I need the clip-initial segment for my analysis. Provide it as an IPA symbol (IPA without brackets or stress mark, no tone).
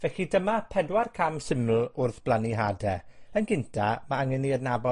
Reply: v